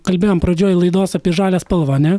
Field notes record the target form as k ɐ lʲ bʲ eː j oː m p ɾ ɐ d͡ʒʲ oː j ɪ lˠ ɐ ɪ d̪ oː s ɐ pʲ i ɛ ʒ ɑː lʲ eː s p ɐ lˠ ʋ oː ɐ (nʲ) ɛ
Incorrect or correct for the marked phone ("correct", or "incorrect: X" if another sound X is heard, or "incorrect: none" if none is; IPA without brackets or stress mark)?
correct